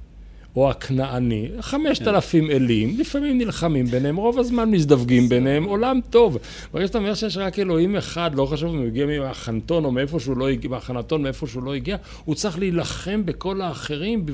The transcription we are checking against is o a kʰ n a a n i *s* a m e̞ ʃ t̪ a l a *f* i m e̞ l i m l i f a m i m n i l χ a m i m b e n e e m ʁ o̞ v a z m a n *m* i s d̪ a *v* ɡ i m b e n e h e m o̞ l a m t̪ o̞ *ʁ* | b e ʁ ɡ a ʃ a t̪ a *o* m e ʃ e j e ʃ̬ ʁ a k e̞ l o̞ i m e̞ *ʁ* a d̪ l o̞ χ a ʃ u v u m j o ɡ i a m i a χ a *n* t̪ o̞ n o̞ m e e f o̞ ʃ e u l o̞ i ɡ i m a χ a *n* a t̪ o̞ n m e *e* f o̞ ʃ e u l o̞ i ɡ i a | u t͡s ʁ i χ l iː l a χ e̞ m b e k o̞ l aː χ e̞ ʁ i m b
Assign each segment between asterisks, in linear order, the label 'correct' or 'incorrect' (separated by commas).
incorrect, correct, correct, correct, incorrect, correct, incorrect, correct, correct, correct